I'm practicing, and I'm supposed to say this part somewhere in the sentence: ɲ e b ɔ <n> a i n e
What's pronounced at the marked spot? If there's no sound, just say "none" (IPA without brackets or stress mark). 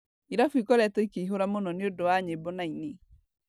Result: n